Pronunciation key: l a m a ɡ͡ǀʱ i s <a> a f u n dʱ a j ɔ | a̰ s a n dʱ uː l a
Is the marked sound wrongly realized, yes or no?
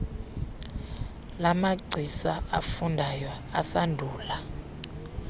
no